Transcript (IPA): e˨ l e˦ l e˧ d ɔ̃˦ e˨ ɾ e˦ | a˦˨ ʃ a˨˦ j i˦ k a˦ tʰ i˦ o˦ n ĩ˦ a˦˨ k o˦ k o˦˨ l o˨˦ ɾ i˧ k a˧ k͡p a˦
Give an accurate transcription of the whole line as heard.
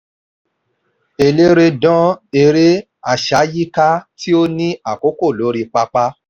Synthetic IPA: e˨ l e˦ ɾ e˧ d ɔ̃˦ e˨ ɾ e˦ | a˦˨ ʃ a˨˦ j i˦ k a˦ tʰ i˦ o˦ n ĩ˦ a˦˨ k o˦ k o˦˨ l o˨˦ ɾ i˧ k͡p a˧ k͡p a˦